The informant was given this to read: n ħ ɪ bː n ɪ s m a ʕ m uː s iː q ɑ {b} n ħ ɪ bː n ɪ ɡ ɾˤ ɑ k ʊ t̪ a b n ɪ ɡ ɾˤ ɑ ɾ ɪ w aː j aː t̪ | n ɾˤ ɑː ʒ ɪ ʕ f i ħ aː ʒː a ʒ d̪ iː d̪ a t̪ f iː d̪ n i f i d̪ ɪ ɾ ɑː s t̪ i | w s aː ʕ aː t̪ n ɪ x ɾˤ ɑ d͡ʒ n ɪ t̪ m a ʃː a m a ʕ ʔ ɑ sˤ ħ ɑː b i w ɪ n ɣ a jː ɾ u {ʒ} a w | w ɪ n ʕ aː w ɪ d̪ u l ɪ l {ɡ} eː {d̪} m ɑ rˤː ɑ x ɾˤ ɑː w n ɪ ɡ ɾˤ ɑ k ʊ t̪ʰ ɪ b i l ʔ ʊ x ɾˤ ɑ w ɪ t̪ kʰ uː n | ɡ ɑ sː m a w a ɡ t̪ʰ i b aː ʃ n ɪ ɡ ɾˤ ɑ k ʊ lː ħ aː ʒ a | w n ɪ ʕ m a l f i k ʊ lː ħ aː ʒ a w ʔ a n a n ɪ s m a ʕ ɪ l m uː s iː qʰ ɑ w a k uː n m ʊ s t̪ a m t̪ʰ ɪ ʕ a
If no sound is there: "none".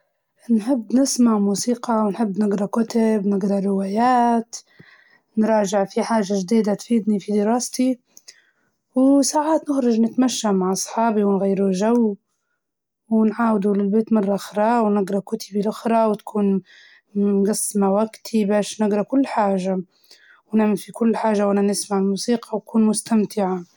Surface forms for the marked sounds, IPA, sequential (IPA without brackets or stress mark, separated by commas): w, ʒ, b, t̪